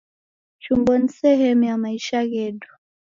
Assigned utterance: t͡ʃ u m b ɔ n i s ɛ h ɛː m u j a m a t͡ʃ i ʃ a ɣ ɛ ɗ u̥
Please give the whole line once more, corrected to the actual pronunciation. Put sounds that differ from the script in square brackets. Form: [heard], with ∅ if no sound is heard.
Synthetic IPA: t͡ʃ u m b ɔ n i s ɛ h [ɛ] m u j a m a [∅] i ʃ a ɣ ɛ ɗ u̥